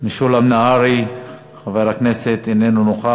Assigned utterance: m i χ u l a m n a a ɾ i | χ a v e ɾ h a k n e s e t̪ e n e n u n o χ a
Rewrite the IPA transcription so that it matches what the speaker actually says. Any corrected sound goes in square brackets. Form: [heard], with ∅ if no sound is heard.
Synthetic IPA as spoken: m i [ʃ] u l a m n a a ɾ i | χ a v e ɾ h a k n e s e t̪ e n e n u n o χ a